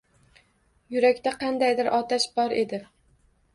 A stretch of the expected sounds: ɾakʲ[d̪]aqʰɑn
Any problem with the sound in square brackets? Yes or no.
yes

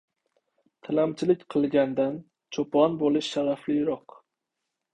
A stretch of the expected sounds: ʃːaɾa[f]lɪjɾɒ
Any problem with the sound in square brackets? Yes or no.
no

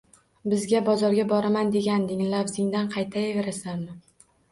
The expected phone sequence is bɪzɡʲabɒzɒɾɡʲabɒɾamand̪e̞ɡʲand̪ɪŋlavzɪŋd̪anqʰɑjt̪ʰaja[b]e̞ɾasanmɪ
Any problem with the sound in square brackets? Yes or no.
yes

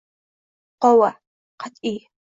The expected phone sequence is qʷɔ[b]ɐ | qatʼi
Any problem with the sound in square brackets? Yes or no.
yes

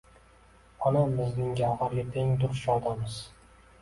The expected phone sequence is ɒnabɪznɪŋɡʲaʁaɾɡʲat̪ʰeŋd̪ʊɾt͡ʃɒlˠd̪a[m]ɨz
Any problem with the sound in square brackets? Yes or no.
no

